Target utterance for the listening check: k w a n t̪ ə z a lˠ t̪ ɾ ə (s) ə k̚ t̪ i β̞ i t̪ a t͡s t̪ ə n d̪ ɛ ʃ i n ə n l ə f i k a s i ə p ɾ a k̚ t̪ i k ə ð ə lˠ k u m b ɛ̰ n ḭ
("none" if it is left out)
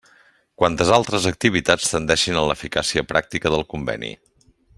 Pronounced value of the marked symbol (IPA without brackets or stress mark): z